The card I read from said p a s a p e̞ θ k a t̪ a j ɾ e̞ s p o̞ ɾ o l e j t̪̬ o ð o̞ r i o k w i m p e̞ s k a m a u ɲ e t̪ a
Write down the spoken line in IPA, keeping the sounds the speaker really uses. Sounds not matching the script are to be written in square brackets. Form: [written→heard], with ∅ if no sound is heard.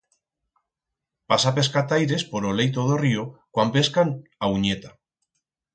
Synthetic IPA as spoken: p a s a p e̞ [θ→s] k a t̪ a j ɾ e̞ s p o̞ ɾ o l e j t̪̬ o ð o̞ r i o k w [i→a] m p e̞ s k a [m→n] a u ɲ e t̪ a